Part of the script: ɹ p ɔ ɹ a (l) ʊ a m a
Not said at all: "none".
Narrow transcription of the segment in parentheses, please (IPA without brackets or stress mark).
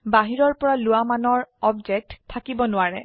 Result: l